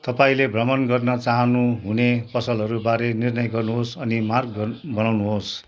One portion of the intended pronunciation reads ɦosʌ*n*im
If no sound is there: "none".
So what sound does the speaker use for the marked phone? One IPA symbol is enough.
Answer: n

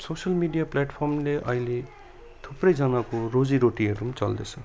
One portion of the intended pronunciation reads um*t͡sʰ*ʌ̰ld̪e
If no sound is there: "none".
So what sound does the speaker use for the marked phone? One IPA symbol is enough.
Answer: t͡s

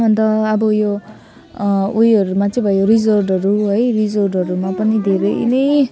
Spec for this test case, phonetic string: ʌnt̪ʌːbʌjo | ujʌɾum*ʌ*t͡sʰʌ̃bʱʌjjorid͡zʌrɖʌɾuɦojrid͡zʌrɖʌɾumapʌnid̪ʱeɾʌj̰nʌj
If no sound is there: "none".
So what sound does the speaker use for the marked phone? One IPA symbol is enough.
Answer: a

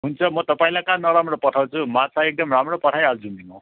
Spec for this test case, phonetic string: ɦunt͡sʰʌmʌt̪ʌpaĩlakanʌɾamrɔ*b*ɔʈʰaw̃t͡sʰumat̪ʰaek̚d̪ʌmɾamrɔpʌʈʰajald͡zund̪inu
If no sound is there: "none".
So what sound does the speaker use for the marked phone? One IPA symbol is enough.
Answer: p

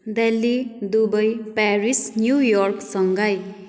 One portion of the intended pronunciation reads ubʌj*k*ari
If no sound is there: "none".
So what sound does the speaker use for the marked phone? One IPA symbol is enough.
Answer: p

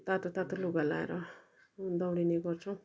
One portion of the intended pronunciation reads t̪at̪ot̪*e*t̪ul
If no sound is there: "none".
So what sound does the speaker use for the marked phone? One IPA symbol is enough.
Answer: a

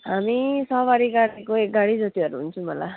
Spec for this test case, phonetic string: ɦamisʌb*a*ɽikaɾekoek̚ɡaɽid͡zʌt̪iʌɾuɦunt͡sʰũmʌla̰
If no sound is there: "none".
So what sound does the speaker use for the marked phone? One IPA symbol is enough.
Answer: a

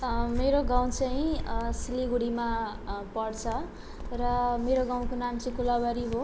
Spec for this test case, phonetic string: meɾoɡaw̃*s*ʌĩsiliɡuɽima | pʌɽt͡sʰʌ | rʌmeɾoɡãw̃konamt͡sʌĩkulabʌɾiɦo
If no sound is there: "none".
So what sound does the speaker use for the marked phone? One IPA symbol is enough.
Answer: t͡s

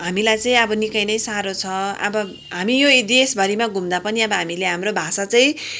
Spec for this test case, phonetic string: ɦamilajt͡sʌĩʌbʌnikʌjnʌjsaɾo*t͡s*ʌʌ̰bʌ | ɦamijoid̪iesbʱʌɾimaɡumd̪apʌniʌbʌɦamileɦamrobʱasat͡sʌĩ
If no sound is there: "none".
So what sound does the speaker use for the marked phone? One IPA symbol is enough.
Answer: t͡sʰ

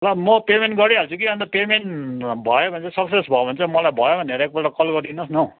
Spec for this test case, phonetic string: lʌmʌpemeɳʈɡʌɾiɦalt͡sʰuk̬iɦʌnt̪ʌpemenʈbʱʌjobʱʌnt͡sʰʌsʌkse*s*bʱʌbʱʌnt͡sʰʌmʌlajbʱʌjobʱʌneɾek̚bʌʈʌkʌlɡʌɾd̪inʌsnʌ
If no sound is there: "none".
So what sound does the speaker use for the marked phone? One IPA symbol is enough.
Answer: s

